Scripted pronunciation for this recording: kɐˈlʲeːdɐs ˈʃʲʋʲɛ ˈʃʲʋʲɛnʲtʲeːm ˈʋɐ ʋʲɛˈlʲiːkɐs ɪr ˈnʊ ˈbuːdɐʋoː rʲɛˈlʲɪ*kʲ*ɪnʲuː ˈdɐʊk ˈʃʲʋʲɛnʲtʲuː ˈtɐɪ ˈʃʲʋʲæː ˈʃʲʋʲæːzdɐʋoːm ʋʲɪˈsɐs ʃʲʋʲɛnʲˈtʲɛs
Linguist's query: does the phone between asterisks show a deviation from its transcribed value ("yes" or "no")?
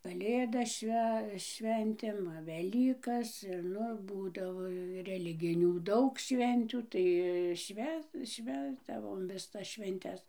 yes